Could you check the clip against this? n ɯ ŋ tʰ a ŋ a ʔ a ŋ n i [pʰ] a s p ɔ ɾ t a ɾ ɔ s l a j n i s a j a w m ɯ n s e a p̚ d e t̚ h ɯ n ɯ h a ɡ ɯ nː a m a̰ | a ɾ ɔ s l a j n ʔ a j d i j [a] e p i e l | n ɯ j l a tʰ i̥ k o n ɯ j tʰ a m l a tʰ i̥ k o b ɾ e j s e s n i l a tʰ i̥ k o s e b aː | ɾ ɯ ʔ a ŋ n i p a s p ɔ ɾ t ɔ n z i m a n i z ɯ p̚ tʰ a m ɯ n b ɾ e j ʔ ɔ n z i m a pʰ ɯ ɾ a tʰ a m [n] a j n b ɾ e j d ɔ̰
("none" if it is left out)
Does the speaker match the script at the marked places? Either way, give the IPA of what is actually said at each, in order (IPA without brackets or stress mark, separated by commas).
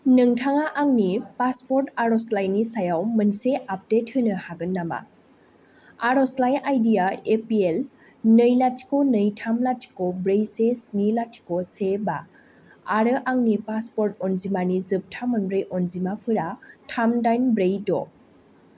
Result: p, a, d